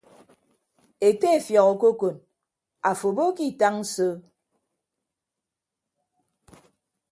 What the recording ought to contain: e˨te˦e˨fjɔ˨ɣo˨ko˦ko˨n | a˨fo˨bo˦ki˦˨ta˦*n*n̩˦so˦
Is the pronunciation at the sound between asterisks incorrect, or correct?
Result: incorrect